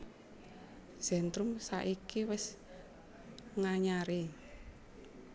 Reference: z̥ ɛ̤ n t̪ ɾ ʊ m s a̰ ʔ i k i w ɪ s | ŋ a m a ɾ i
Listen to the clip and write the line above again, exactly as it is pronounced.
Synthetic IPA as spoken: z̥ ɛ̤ n t̪ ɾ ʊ m s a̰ ʔ i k i w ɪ s | ŋ a ɲ a ɾ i